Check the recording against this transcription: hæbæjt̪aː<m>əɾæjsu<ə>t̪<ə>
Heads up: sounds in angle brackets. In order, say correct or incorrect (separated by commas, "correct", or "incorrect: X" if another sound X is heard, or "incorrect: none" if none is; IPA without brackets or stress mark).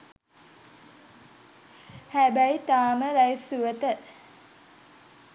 correct, correct, correct